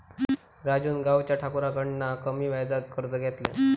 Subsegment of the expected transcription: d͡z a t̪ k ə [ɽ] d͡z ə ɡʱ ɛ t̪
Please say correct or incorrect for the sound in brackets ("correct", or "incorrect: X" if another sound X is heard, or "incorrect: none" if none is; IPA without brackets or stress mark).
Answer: incorrect: ɾ